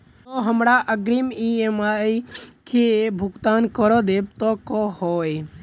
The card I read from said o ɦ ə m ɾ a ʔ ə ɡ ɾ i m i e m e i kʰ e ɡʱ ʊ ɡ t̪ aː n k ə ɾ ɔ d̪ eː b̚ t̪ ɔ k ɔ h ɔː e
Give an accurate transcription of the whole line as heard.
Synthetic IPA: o ɦ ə m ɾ a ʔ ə ɡ ɾ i m i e m a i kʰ e bʱ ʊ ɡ t̪ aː n k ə ɾ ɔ d̪ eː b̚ t̪ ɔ k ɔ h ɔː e